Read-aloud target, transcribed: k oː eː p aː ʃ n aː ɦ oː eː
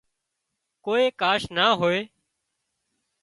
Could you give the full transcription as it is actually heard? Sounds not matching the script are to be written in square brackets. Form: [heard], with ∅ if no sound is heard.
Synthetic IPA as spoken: k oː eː [k] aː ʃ n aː ɦ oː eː